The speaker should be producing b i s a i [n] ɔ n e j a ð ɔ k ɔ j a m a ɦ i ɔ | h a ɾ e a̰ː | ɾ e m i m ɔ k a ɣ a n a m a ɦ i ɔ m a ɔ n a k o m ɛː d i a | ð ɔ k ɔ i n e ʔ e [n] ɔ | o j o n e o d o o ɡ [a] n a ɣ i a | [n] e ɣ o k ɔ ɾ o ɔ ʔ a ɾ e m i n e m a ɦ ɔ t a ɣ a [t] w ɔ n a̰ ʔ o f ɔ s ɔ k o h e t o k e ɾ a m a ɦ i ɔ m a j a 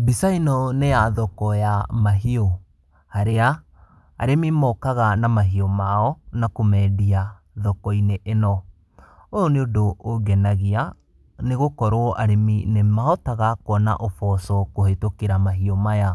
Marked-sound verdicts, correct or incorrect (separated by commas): correct, correct, incorrect, correct, incorrect